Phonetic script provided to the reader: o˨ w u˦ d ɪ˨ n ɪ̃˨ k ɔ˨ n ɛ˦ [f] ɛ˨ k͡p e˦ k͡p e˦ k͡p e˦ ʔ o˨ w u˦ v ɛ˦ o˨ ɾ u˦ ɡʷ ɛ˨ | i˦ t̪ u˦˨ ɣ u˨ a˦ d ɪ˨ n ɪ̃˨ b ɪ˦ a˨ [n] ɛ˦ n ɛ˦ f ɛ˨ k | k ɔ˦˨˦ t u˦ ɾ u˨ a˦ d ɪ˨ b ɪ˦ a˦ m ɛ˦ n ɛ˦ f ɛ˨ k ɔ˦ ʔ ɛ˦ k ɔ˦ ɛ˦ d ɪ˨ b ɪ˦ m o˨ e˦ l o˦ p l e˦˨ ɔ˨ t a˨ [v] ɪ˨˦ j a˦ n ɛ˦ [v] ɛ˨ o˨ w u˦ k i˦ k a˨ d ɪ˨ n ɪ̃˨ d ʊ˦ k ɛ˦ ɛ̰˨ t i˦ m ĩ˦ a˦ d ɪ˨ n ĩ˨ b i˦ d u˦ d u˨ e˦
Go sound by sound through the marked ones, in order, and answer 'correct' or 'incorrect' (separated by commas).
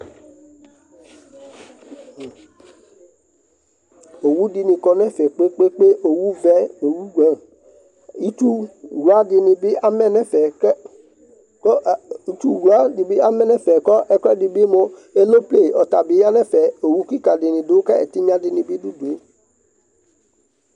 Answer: correct, incorrect, incorrect, incorrect